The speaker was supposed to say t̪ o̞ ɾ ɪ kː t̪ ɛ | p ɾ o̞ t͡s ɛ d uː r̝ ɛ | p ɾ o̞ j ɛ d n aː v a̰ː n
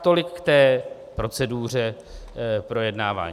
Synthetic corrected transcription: t̪ o̞ l ɪ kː t̪ ɛː | p ɾ o̞ t͡s ɛ d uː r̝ ɛ | p ɾ o̞ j ɛ d n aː v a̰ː ɲ